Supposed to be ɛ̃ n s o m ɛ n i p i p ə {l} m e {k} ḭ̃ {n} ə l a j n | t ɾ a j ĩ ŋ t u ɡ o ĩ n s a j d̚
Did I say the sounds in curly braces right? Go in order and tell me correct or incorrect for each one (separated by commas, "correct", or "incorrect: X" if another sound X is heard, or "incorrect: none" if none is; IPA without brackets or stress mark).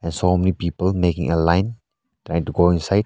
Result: correct, correct, incorrect: ŋ